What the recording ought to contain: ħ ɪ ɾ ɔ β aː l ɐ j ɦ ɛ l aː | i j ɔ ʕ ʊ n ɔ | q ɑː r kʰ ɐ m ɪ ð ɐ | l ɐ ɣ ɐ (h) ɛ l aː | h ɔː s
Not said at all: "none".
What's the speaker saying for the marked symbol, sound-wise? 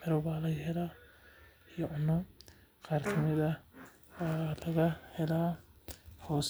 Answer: h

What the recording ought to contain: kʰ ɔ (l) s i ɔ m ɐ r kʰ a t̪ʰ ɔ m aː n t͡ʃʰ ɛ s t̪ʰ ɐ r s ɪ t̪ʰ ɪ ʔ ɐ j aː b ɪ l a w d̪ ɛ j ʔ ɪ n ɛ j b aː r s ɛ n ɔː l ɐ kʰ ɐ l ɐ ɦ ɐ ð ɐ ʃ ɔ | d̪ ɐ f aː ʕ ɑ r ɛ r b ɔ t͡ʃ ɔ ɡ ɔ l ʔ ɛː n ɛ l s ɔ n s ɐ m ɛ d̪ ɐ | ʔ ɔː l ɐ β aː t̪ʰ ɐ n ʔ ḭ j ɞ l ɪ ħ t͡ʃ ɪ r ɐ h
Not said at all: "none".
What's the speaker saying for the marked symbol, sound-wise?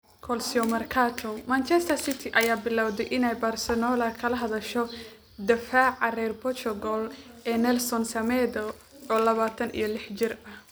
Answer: l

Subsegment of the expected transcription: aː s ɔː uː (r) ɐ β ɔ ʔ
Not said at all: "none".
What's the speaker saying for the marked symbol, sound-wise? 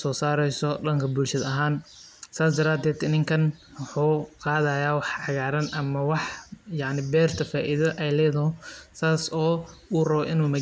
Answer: r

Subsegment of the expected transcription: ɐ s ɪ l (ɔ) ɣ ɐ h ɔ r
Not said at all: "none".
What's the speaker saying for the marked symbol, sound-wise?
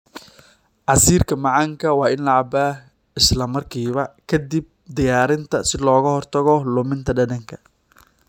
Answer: ɔː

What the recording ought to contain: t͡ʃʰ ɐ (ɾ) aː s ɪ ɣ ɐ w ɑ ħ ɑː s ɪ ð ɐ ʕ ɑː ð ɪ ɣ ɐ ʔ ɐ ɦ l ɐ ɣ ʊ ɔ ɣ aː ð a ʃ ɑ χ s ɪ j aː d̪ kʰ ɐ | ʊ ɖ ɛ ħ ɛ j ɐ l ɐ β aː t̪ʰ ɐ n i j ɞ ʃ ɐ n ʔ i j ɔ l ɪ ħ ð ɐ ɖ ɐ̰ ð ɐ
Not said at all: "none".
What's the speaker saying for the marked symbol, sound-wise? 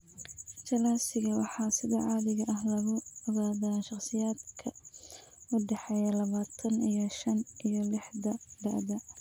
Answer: l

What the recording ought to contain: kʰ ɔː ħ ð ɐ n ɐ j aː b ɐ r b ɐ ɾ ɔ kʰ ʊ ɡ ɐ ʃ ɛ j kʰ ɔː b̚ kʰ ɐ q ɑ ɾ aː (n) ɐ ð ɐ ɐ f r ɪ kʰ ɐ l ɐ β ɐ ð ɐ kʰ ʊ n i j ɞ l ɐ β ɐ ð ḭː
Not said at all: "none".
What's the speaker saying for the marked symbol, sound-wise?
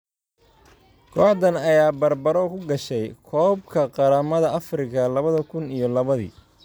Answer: m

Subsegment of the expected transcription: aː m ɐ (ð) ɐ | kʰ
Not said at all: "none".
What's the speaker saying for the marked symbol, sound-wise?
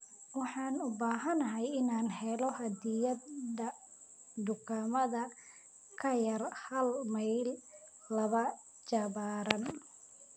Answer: ð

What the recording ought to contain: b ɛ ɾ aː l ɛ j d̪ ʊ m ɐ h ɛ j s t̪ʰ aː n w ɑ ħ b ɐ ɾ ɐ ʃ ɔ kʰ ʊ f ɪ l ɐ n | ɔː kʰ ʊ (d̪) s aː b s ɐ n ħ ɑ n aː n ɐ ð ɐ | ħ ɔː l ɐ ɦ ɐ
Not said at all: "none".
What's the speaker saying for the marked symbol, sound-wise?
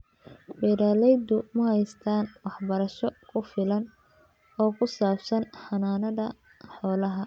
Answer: none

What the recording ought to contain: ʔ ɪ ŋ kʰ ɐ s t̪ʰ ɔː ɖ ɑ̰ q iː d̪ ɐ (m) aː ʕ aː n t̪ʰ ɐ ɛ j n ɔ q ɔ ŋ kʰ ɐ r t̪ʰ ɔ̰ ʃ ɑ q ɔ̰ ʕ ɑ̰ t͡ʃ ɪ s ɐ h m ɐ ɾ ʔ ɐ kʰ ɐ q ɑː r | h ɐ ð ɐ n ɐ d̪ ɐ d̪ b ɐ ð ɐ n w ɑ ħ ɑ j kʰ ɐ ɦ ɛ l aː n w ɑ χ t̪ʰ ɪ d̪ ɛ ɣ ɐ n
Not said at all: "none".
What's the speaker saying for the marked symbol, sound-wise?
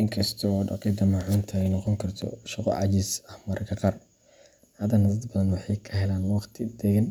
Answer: m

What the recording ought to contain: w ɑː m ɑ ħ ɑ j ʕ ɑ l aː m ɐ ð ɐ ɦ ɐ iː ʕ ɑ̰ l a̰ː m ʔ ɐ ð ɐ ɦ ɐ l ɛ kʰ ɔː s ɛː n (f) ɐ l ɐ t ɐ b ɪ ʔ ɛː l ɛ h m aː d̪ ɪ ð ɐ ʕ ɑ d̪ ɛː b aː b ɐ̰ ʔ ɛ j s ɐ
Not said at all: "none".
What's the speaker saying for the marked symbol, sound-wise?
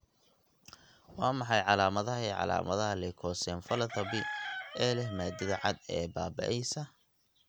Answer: f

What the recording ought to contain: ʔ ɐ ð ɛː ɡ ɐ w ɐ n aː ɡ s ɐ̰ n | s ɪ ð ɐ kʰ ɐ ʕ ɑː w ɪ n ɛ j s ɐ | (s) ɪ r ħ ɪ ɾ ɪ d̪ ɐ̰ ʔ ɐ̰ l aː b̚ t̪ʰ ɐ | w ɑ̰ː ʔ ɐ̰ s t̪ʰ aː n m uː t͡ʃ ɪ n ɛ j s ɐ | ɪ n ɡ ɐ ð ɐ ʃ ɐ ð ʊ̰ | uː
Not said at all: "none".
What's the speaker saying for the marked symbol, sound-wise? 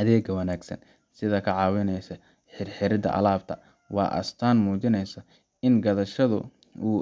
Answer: ħ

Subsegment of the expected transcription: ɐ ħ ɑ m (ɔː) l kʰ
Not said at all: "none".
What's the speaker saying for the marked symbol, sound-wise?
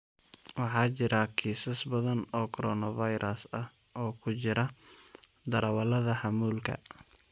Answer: uː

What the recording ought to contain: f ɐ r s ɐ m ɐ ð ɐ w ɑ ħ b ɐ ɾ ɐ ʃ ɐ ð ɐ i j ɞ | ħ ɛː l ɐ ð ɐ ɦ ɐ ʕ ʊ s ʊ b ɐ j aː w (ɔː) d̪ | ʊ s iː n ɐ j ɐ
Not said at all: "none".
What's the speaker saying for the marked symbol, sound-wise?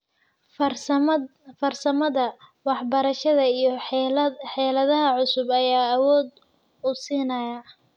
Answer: ɔː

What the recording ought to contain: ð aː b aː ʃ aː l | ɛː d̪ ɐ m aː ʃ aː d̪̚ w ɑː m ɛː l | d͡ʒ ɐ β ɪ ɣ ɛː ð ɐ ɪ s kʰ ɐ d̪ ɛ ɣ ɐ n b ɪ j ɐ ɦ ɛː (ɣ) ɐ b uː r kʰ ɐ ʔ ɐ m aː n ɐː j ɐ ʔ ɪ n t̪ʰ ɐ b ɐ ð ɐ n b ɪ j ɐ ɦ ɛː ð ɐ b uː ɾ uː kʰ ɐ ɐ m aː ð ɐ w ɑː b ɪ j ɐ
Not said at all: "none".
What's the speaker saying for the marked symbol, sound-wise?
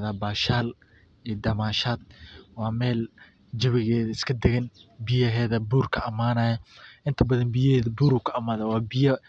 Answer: ð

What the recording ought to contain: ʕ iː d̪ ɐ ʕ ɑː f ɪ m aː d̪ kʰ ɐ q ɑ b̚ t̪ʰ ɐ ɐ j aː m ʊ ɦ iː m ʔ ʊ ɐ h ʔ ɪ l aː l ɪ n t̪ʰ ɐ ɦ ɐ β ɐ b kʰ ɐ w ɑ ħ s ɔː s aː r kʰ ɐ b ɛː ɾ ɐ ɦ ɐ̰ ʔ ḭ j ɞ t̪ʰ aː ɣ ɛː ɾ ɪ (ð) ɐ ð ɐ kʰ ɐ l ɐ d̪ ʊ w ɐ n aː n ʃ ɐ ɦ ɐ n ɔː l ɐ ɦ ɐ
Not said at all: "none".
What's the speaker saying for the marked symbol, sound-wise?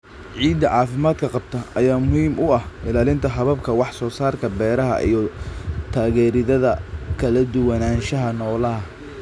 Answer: ð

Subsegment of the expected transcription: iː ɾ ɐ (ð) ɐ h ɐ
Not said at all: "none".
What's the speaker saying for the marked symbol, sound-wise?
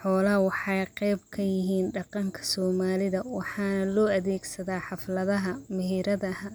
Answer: ð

